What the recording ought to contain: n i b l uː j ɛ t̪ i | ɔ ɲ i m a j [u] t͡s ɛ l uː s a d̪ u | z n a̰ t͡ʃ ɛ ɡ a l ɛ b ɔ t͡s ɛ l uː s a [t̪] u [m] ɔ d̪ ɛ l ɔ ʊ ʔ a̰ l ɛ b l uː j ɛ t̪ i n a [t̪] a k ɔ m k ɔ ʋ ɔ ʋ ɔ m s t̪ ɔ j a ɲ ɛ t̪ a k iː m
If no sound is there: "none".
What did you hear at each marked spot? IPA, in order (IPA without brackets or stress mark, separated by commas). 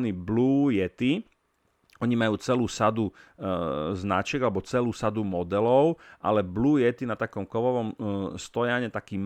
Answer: uː, d̪, m, t̪